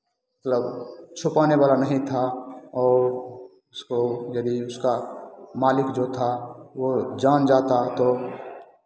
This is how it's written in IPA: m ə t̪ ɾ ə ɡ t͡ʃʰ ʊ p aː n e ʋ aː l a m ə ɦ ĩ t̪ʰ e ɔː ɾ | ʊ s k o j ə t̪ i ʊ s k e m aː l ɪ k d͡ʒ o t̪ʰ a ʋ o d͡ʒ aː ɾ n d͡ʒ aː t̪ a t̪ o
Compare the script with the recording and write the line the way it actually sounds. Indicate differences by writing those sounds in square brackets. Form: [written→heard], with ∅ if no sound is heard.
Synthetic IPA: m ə t̪ [ɾ→l] ə [ɡ→b] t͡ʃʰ ʊ p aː n e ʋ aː l a [m→n] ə ɦ ĩ t̪ʰ [e→a] ɔː ɾ | ʊ s k o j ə [t̪→d̪] i ʊ s k [e→a] m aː l ɪ k d͡ʒ o t̪ʰ a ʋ o d͡ʒ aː [ɾ→∅] n d͡ʒ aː t̪ a t̪ o